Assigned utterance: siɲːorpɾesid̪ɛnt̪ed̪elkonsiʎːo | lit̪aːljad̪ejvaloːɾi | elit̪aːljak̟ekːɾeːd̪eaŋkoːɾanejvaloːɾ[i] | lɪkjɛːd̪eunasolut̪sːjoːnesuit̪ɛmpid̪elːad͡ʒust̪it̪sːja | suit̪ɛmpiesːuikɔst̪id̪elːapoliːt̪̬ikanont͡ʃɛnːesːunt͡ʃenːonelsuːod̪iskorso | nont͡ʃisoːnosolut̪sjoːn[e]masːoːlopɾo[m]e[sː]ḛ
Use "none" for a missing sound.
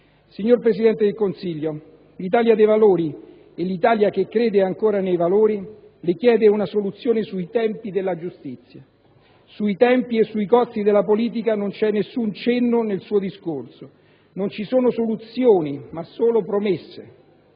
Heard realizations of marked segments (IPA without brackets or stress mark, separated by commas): i, i, m, sː